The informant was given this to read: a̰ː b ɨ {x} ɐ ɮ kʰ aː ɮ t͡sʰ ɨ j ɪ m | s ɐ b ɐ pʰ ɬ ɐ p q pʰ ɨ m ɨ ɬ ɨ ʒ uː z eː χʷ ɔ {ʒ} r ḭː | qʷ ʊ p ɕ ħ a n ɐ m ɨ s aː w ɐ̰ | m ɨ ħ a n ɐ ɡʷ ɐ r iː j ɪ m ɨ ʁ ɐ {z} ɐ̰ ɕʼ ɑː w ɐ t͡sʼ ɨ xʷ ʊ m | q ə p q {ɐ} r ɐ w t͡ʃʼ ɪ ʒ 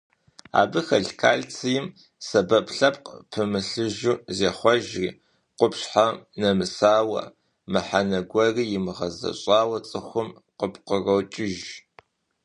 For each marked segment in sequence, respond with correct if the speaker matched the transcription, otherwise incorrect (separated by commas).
correct, correct, correct, incorrect